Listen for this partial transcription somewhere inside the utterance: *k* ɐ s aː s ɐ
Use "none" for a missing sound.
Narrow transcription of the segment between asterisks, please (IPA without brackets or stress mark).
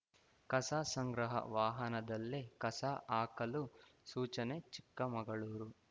k